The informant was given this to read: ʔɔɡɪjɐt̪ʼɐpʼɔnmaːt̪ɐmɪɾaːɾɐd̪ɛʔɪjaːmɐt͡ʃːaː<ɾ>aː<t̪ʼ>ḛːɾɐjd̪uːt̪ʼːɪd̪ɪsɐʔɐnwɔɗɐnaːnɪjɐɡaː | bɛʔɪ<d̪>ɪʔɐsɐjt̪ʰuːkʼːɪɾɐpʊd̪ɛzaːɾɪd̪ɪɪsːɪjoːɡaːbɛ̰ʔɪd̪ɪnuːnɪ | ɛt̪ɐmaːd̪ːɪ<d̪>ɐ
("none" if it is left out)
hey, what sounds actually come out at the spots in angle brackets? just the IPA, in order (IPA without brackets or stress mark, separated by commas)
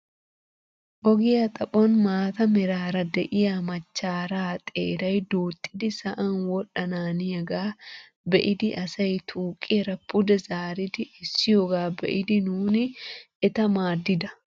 ɾ, t̪ʼ, d̪, d̪